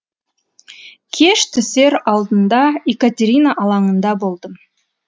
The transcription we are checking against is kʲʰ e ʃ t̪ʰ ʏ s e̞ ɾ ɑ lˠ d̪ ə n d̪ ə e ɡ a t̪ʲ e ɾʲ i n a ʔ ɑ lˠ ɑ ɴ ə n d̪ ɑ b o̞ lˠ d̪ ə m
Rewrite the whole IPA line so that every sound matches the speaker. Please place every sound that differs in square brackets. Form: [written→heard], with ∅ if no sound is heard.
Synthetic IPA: kʲʰ e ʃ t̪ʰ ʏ s e̞ ɾ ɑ lˠ d̪ ə n d̪ [ə→ɑ] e [ɡ→k] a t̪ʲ e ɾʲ i n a ʔ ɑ lˠ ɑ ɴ ə n d̪ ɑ b o̞ lˠ d̪ ə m